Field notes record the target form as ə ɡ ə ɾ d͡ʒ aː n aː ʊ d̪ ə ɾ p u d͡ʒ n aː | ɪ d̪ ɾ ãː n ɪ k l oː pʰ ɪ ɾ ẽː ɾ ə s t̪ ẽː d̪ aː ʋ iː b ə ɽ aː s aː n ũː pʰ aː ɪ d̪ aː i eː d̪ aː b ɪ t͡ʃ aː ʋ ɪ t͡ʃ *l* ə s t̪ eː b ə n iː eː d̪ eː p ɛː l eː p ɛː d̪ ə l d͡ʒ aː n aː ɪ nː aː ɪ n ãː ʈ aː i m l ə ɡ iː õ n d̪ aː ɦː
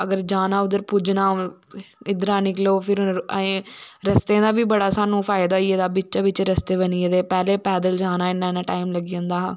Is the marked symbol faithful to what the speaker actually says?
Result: no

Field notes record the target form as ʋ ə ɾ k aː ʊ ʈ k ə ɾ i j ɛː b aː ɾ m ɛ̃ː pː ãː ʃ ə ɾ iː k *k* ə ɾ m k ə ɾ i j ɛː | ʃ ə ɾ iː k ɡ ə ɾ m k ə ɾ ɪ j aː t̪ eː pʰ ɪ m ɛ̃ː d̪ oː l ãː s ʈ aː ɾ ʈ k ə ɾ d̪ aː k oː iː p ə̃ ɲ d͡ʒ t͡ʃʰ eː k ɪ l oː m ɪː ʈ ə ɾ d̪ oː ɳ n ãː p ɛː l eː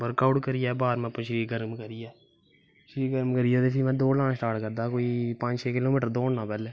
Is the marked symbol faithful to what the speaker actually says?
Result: no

